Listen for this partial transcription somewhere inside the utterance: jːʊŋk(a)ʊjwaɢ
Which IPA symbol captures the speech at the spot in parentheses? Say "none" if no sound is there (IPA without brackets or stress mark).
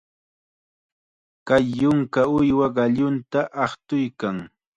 a